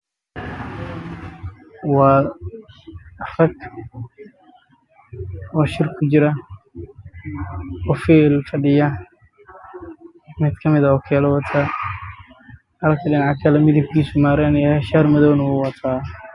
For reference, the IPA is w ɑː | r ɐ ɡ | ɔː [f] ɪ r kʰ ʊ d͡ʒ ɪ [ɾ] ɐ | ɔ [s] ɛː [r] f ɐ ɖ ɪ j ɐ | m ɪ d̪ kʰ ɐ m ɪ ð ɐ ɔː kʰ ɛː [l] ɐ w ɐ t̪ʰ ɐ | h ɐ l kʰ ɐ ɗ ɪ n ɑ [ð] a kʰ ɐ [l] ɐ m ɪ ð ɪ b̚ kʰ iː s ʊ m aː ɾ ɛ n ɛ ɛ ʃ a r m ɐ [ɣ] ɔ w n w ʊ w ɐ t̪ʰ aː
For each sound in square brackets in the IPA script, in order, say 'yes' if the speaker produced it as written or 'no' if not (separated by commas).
no, yes, no, no, yes, no, yes, no